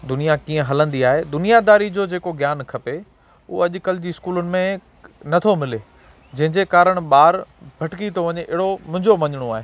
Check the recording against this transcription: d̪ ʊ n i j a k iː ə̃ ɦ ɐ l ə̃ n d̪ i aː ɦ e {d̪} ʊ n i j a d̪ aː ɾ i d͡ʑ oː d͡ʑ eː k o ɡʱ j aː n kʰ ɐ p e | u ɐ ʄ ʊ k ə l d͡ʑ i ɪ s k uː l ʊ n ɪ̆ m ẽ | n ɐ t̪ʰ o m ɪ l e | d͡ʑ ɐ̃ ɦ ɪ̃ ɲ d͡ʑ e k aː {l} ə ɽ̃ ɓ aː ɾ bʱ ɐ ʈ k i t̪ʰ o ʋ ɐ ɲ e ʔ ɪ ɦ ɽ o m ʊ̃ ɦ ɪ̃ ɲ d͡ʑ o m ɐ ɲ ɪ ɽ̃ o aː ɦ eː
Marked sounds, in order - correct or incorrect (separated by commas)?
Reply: correct, incorrect